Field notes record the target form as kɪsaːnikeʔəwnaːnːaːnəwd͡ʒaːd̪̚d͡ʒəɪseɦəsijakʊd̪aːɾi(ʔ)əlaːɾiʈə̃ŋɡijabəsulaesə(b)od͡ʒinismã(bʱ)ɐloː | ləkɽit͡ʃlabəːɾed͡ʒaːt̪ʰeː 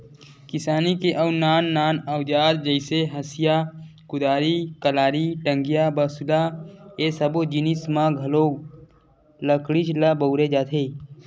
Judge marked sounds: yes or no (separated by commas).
no, yes, no